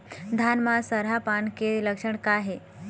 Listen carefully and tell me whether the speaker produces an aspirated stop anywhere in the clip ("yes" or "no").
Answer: no